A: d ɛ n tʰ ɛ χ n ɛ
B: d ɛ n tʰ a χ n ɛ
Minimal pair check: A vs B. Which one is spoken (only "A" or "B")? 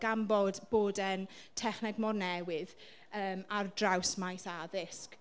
A